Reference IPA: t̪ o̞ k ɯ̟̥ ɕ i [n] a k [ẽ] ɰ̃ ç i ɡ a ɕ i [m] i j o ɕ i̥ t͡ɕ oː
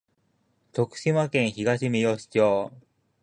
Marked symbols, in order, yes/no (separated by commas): no, yes, yes